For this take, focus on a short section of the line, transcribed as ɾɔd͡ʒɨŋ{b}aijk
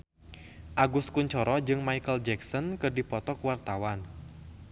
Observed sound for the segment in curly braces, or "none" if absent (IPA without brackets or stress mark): m